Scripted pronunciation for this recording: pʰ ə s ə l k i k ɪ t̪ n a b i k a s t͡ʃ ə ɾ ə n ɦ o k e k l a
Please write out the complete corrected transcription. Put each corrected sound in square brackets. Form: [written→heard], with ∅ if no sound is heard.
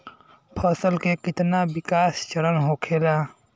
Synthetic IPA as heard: pʰ ə s ə l k [i→e] k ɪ t̪ n a b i k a s t͡ʃ ə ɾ ə n ɦ o [k→kʰ] e [k→∅] l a